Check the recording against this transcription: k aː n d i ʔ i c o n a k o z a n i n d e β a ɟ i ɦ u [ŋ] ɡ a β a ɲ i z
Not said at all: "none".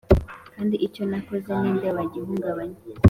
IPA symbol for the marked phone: ŋ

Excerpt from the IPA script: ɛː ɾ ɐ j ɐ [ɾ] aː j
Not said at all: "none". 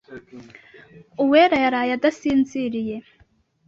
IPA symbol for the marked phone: ɾ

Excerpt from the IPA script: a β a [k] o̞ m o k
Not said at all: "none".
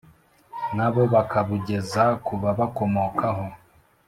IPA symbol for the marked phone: k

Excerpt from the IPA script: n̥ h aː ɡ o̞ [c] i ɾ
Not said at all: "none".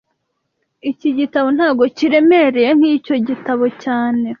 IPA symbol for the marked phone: c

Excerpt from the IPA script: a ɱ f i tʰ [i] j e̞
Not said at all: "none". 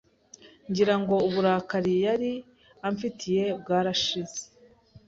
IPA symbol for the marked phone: i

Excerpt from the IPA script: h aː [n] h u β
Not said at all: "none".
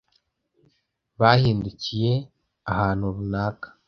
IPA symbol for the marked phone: n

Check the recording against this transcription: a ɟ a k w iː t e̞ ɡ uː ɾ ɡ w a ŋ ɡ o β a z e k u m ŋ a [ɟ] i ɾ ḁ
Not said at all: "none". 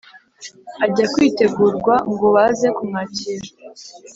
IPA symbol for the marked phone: c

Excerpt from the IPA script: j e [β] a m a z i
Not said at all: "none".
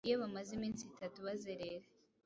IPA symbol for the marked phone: β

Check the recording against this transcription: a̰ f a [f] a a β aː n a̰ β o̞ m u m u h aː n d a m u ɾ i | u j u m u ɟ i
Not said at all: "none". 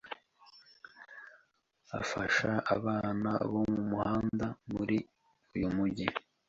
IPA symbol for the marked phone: ʃ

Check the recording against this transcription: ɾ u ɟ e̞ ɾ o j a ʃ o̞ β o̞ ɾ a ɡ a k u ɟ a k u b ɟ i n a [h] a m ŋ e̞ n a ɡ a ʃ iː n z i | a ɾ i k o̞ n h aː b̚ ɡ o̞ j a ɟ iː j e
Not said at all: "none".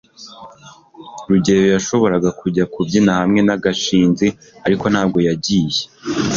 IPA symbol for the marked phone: h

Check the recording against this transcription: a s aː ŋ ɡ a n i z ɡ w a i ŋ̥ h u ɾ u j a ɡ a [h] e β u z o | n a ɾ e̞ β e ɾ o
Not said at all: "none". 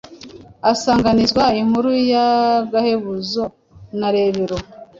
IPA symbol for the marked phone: h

